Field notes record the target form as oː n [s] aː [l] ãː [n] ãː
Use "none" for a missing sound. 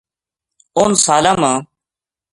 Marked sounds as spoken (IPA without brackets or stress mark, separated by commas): s, l, m